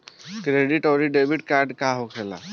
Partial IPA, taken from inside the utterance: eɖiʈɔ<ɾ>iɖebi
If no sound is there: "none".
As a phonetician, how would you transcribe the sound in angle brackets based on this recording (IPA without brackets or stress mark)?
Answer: ɾ